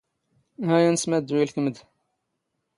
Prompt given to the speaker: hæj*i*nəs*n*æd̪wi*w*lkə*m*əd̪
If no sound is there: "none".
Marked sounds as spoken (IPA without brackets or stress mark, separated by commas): æ, m, none, m